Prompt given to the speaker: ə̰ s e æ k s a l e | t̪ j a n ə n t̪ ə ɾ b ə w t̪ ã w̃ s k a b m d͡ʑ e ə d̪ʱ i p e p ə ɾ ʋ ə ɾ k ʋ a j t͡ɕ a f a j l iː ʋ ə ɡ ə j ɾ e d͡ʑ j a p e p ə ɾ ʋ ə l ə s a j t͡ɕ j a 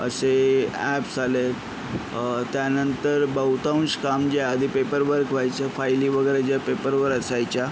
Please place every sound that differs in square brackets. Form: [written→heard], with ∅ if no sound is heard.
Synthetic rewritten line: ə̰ s e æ [k→p] s a l e | t̪ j a n ə n t̪ ə ɾ b ə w t̪ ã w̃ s k a [b→∅] m d͡ʑ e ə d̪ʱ i p e p ə ɾ ʋ ə ɾ k ʋ a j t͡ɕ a f a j l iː ʋ ə ɡ ə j ɾ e d͡ʑ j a p e p ə ɾ ʋ ə [l→ɾ] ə s a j t͡ɕ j a